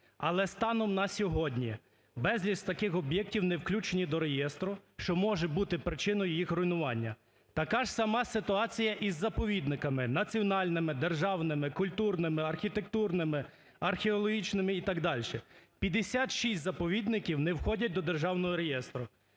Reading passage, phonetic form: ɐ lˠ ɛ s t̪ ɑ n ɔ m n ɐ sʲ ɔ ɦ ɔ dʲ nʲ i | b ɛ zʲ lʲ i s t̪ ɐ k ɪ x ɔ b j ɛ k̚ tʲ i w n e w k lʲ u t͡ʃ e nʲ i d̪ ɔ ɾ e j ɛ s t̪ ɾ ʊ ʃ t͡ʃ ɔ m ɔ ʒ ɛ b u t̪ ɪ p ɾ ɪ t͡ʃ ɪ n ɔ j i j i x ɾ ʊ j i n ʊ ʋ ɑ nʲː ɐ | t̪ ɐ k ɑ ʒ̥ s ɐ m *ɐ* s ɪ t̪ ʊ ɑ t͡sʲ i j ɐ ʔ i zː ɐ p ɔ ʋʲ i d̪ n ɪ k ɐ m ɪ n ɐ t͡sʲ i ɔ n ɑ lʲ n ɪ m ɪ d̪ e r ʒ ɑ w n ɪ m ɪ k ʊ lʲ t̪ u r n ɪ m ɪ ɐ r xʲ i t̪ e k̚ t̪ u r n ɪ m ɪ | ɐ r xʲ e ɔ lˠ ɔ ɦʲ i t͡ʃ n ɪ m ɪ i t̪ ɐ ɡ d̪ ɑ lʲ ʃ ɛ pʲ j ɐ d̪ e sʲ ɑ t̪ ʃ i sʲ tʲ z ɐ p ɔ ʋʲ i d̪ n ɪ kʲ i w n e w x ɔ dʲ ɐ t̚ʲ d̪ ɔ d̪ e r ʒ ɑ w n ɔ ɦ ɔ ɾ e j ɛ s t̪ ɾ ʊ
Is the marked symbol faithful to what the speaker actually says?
no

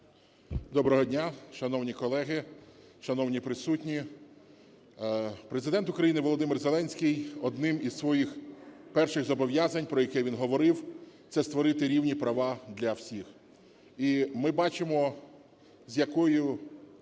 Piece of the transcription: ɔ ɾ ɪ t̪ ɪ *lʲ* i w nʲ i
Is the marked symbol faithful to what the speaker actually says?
no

